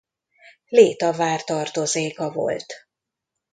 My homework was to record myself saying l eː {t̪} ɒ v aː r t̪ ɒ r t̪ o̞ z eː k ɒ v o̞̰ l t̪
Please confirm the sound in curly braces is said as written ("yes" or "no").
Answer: yes